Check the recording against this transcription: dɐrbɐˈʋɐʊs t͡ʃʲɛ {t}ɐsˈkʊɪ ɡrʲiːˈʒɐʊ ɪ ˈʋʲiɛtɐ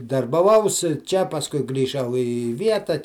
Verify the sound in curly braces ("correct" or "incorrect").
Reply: incorrect